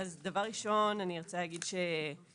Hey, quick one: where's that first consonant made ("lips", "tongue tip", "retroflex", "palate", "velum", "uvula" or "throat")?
tongue tip